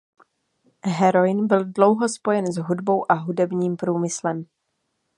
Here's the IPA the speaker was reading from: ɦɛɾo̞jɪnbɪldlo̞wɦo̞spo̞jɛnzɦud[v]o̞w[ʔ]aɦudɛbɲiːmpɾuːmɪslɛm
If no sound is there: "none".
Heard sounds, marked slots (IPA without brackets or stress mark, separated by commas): b, ʔ